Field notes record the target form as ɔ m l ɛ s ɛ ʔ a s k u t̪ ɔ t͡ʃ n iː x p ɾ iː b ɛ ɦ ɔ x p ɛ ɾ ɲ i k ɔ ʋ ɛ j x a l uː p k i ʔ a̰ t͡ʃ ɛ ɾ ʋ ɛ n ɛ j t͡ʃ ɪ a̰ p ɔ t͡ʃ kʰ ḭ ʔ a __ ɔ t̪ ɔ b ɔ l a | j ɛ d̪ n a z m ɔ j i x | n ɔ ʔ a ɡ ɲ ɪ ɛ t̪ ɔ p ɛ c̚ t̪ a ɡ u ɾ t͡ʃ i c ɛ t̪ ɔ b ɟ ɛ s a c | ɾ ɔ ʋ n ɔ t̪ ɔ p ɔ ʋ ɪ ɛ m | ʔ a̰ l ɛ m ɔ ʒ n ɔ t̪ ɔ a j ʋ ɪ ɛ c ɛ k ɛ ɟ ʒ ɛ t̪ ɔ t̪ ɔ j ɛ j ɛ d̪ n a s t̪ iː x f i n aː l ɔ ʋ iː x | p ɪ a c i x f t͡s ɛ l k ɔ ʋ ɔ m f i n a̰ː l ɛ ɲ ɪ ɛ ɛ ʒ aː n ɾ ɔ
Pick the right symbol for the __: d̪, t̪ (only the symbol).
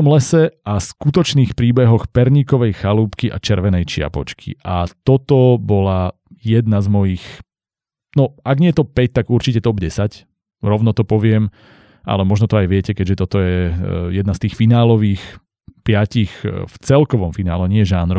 t̪